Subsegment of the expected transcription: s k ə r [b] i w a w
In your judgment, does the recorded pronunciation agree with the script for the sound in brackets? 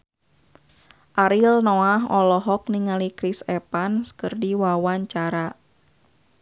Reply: no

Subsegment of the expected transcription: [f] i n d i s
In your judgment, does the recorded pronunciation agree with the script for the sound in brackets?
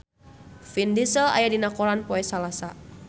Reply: yes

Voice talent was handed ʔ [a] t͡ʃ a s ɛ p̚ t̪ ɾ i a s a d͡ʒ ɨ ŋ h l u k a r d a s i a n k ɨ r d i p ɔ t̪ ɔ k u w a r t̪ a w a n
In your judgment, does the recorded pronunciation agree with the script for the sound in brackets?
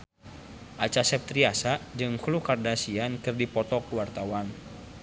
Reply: yes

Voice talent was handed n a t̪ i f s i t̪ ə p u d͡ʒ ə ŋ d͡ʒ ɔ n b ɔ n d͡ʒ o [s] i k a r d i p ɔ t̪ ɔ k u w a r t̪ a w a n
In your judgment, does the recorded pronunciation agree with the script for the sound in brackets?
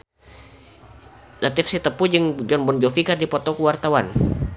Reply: no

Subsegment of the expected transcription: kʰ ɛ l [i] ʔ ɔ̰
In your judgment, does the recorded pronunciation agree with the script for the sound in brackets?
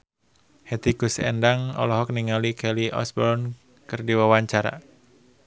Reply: yes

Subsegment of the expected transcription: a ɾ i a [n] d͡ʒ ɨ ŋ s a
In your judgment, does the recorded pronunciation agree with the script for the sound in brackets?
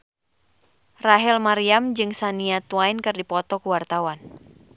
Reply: no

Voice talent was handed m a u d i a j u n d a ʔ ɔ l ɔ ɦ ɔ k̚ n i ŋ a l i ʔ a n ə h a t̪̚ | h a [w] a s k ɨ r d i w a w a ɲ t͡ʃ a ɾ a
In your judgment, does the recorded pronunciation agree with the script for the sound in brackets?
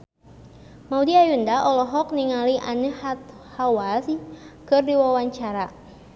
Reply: yes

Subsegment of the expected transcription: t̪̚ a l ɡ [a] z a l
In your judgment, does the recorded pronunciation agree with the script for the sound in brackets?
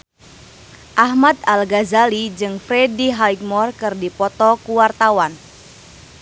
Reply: yes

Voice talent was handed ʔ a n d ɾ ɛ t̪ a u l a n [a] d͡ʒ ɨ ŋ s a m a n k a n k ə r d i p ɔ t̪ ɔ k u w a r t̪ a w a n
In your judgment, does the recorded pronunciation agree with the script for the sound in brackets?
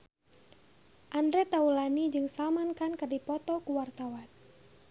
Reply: no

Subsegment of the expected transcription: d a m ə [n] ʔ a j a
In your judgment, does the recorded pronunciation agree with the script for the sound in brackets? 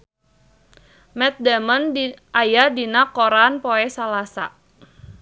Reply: yes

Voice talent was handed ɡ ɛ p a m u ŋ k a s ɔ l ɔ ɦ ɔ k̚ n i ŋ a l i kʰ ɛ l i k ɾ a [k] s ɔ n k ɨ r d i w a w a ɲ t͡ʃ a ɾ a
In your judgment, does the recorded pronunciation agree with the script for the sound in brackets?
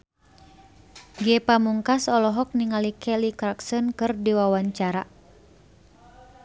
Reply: yes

